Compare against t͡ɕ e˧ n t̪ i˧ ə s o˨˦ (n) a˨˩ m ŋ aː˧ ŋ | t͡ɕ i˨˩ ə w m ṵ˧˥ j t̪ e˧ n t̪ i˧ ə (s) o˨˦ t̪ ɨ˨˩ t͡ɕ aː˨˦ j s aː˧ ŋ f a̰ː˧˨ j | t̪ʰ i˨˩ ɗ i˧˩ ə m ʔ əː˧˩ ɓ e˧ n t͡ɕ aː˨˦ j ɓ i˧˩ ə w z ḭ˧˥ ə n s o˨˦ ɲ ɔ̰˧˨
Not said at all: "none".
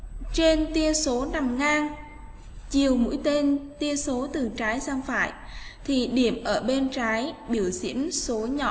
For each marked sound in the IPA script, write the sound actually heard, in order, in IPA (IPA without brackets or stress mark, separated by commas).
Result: n, s